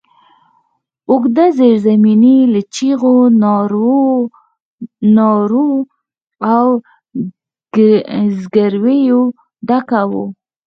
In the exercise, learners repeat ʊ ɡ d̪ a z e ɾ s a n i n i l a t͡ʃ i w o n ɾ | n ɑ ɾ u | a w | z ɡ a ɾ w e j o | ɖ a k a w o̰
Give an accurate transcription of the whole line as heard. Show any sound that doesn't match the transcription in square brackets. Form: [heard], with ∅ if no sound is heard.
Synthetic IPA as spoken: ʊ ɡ d̪ a z e ɾ [z] a [m] i n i l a t͡ʃ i [ɣ] o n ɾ | n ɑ ɾ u | a w | z ɡ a ɾ w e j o | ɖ a k a w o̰